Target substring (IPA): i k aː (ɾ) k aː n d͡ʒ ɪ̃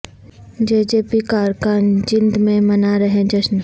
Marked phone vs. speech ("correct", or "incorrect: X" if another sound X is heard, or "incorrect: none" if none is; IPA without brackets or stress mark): correct